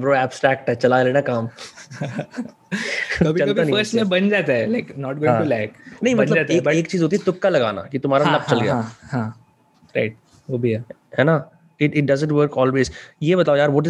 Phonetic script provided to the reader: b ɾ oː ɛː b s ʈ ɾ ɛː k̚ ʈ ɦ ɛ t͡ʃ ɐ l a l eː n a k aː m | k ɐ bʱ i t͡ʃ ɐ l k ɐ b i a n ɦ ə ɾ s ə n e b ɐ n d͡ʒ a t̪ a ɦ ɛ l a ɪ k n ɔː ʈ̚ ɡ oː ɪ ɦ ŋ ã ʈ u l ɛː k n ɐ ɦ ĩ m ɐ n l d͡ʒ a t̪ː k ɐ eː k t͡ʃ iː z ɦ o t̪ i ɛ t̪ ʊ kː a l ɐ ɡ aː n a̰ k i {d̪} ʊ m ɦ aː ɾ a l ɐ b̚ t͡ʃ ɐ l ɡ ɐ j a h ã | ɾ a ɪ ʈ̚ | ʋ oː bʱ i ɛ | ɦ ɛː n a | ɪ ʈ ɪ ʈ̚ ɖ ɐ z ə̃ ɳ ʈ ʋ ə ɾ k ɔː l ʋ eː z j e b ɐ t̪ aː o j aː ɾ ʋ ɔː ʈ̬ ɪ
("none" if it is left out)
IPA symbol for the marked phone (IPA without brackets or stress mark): t̪